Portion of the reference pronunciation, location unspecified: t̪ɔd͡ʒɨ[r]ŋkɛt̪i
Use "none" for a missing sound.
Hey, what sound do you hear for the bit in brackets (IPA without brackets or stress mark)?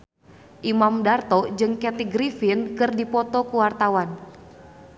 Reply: none